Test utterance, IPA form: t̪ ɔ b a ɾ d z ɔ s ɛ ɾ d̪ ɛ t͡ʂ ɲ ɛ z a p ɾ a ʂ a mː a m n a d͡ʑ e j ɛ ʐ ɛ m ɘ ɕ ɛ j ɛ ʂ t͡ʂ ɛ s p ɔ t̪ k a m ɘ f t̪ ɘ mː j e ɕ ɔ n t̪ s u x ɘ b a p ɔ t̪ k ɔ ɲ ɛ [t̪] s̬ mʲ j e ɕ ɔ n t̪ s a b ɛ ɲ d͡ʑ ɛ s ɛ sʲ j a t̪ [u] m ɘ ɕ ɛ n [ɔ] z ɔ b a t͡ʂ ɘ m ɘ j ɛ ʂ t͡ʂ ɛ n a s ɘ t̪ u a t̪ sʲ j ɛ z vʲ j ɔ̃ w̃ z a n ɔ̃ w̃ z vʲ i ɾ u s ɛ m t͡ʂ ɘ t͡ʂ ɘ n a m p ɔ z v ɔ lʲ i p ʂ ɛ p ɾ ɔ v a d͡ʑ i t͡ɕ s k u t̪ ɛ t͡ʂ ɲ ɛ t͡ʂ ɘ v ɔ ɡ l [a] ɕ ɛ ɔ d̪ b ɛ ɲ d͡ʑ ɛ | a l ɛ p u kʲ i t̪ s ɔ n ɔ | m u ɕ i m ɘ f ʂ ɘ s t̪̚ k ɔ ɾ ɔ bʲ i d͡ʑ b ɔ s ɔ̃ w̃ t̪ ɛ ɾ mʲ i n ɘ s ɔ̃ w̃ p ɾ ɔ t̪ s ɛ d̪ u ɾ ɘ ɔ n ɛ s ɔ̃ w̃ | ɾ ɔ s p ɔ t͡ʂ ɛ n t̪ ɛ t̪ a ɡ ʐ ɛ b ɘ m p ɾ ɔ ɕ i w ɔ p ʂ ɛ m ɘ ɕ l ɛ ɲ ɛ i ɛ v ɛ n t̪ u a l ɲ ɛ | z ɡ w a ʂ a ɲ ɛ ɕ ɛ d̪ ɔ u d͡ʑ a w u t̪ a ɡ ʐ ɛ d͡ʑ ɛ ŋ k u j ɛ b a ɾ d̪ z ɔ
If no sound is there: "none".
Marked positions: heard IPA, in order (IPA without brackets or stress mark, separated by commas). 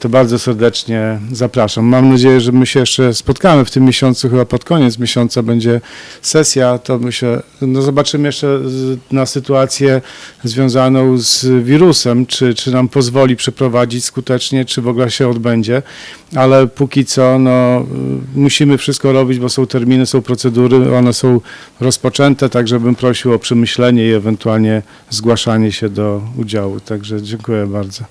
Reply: t̪, ɔ, ɔ, ɛ